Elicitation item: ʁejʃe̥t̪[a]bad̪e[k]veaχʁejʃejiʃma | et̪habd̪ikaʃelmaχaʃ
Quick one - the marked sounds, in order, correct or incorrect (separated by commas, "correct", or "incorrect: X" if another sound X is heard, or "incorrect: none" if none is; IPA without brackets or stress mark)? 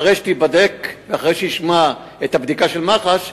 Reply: incorrect: i, correct